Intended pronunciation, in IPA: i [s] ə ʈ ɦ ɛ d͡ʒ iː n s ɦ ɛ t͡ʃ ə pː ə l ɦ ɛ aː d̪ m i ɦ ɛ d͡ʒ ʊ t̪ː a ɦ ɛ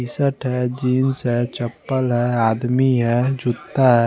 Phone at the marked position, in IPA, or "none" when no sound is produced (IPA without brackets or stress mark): s